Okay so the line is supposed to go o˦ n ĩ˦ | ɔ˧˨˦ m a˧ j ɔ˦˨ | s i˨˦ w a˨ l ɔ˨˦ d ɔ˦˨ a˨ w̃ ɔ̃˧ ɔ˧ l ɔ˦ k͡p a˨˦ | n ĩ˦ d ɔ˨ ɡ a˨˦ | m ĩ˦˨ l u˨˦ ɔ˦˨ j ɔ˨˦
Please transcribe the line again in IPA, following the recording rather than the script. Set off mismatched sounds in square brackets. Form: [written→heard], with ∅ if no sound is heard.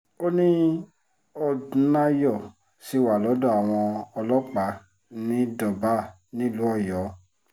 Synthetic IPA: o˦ n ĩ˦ | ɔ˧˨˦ [m→n] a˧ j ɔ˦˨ | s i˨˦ w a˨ l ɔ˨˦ d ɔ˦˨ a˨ w̃ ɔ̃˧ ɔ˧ l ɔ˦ k͡p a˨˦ | n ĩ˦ d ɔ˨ [ɡ→b] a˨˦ | [m→n] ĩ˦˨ l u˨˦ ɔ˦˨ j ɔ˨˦